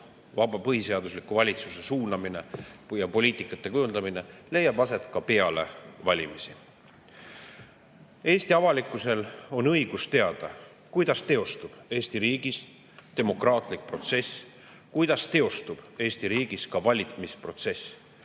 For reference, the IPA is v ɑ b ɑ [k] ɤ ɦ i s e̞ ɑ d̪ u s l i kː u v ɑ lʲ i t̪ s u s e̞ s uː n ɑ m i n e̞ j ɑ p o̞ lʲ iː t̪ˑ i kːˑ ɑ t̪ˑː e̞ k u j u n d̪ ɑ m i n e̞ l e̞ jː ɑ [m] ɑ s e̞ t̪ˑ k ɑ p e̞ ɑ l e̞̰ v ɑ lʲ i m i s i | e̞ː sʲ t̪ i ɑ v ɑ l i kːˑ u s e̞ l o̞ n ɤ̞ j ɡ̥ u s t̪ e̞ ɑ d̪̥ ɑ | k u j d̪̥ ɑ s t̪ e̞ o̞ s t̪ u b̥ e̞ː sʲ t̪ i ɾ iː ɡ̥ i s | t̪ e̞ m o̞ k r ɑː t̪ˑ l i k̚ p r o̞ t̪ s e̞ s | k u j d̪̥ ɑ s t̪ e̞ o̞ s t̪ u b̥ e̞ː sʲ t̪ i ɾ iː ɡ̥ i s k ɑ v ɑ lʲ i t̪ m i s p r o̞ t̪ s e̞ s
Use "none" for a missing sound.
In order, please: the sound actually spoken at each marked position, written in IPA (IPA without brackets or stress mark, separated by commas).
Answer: p, b